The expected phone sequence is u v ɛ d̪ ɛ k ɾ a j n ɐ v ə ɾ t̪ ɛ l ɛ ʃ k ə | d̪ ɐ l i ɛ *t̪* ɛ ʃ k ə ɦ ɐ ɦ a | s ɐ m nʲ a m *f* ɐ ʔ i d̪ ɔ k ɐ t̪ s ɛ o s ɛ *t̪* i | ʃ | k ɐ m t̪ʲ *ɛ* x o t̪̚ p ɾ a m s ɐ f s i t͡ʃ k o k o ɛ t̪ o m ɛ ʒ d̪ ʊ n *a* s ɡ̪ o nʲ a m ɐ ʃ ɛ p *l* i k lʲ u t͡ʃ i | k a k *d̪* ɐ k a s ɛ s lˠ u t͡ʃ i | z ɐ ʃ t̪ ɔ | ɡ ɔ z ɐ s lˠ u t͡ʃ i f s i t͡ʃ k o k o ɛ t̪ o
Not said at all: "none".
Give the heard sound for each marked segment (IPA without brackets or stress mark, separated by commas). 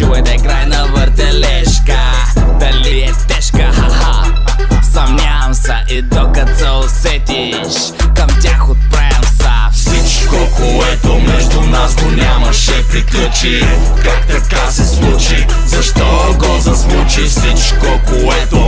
t̪, s, t̪, a, a, ɾ, t̪